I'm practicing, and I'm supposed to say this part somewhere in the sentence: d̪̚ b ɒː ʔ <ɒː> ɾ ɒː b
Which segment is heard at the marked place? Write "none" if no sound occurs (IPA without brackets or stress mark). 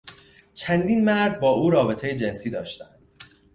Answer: uː